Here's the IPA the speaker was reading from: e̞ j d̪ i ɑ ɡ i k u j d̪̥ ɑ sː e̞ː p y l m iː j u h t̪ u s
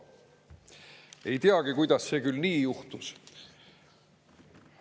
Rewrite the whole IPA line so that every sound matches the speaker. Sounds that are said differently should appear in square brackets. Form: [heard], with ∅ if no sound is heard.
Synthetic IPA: e̞ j [t̪] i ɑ ɡ i k u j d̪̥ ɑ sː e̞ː [k] y l [n] iː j u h t̪ u s